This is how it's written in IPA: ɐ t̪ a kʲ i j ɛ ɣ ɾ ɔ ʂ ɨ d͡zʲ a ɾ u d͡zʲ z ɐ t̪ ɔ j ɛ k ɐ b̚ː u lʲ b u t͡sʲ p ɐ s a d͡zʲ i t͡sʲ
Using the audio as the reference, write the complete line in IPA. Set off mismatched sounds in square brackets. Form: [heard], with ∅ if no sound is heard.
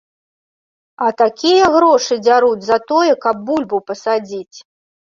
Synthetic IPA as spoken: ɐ t̪ a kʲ i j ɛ ɣ ɾ ɔ ʂ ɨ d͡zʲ a ɾ u d͡zʲ z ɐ t̪ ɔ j ɛ k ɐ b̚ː u lʲ b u [∅] p ɐ s a d͡zʲ i t͡sʲ